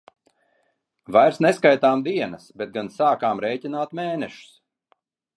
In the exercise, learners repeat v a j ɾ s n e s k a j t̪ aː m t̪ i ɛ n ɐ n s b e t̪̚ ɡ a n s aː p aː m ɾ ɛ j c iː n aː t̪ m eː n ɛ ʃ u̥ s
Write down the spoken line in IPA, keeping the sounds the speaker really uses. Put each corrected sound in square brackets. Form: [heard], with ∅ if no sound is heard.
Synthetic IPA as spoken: v a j ɾ s n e s k a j t̪ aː m [d̪] i ɛ n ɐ [∅] s b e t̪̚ ɡ a n s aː [k] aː m ɾ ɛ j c [i] n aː t̪ m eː n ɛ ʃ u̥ s